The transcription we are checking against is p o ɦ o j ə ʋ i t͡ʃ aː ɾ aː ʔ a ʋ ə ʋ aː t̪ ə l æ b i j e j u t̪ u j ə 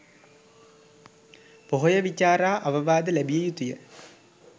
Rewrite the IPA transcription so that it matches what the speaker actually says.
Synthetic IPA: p o ɦ o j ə ʋ i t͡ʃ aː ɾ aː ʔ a ʋ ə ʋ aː d̪ ə l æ b i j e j u t̪ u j ə